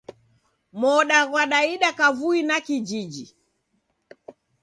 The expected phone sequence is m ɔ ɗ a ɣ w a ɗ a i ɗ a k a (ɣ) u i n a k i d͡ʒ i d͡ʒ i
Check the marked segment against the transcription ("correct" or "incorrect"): incorrect